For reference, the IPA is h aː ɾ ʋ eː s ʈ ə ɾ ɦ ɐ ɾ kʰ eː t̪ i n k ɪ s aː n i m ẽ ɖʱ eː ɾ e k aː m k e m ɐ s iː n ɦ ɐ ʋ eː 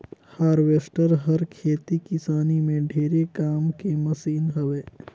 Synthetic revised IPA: h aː ɾ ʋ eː s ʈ ə ɾ ɦ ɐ ɾ kʰ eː t̪ i k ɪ s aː n i m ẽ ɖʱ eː ɾ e k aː m k e m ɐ s iː n ɦ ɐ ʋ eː